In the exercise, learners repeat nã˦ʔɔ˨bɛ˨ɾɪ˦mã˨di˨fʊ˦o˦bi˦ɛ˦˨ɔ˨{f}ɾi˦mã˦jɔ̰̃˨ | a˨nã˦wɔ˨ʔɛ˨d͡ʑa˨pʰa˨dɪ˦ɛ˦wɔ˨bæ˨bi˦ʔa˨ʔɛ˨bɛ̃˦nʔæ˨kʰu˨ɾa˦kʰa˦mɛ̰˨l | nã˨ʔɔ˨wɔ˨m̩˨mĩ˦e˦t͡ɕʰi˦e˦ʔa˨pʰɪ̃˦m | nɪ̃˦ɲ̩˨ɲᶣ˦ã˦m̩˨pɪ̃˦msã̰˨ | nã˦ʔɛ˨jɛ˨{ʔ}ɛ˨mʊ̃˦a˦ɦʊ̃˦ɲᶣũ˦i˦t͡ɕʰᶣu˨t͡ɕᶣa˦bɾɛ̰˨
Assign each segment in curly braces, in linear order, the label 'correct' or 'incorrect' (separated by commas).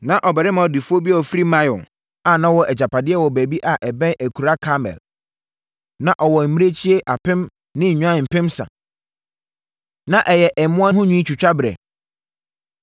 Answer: correct, correct